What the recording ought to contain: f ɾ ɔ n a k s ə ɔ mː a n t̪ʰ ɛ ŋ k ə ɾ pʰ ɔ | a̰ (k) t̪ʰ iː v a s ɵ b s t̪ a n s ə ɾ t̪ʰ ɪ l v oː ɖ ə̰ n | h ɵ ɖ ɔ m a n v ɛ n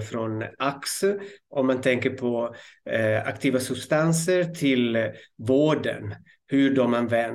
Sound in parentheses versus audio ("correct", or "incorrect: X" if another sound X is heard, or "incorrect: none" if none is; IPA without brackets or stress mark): correct